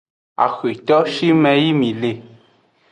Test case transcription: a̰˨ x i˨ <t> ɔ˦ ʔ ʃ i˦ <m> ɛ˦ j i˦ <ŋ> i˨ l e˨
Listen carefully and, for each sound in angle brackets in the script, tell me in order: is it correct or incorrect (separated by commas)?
correct, correct, incorrect